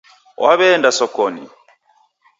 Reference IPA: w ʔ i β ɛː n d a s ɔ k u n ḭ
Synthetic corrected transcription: w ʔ a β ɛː n d a s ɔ k ɔ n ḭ